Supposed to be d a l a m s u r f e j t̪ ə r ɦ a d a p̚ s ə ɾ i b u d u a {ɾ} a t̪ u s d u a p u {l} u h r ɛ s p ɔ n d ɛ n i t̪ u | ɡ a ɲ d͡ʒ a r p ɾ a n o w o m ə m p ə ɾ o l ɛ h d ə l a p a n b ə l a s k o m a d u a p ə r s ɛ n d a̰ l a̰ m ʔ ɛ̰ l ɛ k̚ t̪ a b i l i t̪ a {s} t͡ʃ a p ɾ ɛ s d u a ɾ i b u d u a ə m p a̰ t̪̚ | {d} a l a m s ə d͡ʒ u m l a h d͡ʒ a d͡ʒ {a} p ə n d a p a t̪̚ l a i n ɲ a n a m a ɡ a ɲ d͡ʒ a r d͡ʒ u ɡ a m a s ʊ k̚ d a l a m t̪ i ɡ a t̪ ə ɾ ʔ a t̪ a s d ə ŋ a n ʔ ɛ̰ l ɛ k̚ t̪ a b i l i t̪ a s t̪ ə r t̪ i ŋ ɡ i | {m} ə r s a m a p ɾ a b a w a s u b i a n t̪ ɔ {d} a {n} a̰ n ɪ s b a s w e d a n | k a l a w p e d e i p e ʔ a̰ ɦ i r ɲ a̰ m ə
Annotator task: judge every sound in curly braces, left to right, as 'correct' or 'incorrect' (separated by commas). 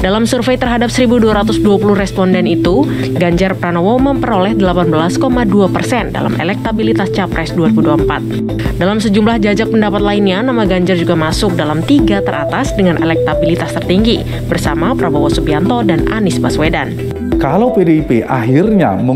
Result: correct, correct, correct, correct, correct, incorrect, correct, correct